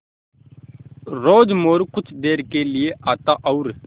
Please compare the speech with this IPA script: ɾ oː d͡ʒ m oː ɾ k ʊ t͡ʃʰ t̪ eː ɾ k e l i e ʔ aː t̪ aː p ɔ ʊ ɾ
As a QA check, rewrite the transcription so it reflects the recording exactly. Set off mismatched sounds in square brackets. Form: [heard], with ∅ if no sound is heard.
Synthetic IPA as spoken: ɾ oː d͡ʒ m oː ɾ k ʊ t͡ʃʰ [d̪] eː ɾ k e l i e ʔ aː t̪ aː [ʔ] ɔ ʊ ɾ